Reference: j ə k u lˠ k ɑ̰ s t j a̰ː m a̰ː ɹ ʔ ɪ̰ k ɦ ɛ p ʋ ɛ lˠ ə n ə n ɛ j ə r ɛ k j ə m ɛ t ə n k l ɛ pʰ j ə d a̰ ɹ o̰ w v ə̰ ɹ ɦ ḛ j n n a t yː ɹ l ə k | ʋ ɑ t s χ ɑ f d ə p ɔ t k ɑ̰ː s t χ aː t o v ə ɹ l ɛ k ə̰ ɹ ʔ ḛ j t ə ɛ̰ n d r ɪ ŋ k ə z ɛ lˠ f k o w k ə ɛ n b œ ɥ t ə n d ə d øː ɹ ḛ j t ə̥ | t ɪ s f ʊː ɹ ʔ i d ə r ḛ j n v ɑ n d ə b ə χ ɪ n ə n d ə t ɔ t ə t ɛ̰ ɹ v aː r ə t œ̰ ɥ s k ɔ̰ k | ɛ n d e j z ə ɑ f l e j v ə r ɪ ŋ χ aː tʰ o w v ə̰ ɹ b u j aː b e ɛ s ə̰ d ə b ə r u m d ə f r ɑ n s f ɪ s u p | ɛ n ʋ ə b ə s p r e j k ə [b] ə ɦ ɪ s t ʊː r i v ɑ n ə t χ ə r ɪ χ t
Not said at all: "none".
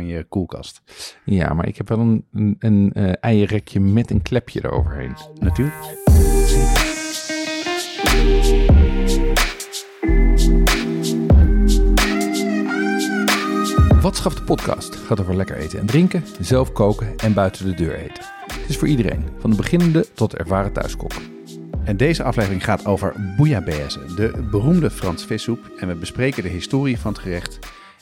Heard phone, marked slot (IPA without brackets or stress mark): d